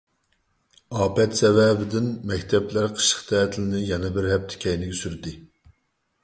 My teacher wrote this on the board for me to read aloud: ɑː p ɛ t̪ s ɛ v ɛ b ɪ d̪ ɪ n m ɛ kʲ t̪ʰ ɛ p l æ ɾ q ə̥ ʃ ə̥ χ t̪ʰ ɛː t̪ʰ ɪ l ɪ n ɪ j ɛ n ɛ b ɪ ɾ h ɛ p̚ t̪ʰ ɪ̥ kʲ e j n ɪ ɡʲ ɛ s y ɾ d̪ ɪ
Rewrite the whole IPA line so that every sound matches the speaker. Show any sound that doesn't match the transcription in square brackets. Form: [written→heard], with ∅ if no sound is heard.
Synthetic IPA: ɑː p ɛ t̪ s ɛ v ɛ b ɪ d̪ ɪ n m ɛ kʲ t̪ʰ ɛ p l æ ɾ [q→qʰ] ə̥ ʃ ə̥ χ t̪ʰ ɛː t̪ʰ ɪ l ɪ n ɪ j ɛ n ɛ b ɪ ɾ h ɛ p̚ t̪ʰ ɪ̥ kʲ [e→ɛ] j n ɪ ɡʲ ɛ s y ɾ d̪ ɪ